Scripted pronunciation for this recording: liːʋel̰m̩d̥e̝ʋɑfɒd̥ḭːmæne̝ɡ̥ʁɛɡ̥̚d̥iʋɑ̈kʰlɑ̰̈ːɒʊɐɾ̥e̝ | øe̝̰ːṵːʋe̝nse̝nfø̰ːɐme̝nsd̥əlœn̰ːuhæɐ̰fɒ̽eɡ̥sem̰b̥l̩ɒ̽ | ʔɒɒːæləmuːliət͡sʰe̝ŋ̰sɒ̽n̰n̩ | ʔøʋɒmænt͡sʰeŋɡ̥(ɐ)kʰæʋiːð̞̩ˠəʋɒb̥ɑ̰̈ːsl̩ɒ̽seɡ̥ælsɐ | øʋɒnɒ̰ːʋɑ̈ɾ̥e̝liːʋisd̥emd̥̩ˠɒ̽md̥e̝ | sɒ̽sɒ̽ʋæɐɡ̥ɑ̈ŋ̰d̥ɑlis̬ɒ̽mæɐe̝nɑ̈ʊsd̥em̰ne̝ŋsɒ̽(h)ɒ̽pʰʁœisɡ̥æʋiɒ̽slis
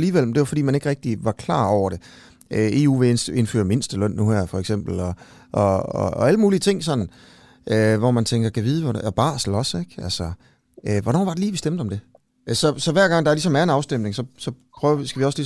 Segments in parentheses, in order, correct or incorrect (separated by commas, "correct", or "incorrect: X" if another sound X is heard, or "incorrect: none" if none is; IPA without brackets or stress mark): correct, incorrect: s